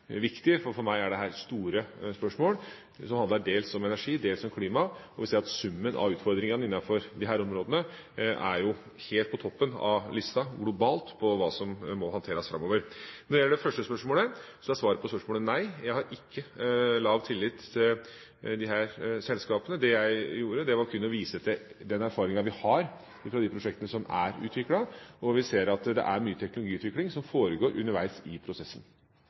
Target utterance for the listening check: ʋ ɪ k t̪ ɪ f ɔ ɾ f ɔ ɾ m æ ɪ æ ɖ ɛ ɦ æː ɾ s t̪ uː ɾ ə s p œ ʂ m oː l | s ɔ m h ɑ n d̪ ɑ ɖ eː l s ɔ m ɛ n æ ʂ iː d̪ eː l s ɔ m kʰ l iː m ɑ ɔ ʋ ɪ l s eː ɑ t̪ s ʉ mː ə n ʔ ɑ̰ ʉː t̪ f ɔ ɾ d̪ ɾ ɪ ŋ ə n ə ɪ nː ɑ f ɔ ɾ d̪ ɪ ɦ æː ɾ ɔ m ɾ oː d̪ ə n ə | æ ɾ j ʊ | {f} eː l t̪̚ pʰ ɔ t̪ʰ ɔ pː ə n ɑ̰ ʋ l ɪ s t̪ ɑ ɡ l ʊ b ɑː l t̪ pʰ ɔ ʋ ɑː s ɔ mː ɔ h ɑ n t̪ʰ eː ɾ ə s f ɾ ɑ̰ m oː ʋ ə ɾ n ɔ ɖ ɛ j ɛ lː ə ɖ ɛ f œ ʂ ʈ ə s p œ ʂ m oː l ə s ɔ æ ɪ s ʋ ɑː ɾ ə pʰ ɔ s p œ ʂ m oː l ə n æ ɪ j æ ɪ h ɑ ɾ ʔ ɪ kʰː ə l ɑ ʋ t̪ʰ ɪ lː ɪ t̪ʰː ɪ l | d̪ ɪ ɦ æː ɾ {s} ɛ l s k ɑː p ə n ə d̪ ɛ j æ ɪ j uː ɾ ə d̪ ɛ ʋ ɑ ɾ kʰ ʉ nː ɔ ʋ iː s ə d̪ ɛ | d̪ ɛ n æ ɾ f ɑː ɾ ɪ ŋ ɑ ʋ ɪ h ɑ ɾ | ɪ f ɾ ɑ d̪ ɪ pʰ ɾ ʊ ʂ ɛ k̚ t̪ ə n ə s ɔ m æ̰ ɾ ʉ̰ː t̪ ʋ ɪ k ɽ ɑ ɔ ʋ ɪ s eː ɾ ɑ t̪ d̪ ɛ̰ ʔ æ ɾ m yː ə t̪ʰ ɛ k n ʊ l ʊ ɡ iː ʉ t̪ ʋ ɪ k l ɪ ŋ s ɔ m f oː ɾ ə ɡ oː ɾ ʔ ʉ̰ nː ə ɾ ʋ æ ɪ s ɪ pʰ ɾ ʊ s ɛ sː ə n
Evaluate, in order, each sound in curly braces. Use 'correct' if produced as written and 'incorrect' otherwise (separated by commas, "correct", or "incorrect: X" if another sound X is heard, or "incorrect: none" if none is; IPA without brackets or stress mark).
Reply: incorrect: h, correct